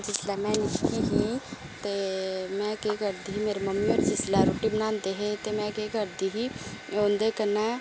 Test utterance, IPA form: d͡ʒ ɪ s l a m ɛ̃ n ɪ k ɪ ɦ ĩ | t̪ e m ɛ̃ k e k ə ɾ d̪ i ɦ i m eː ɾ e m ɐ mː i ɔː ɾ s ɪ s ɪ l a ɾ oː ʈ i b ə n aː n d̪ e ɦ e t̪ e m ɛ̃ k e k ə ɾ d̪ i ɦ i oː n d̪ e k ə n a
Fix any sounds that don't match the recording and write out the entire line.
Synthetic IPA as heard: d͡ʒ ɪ s l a m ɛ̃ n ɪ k i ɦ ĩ | t̪ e m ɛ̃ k e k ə ɾ d̪ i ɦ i m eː ɾ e m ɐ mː i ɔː ɾ s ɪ s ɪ l a ɾ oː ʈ i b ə n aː n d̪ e ɦ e t̪ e m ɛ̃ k e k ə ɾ d̪ i ɦ i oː n d̪ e k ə n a